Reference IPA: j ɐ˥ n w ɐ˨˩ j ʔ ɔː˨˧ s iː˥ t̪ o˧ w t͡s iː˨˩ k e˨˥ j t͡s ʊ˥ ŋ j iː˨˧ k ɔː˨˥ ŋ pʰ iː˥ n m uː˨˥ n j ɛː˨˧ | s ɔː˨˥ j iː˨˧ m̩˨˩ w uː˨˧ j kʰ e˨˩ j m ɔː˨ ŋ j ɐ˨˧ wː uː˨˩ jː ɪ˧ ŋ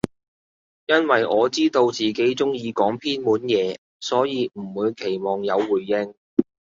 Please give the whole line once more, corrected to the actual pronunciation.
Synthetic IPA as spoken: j ɐ˥ n w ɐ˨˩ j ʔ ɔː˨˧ t͡s iː˥ t̪ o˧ w t͡s iː˨˩ k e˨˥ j t͡s ʊ˥ ŋ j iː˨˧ k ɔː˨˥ ŋ pʰ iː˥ n m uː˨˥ n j ɛː˨˧ | s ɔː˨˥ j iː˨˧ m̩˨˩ w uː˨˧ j kʰ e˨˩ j m ɔː˨ ŋ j ɐ˨˧ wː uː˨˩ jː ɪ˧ ŋ